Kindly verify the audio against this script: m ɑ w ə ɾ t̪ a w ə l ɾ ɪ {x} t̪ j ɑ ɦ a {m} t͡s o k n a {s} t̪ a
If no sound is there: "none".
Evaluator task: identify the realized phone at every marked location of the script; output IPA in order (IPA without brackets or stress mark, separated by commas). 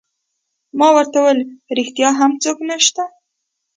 x, m, ʃ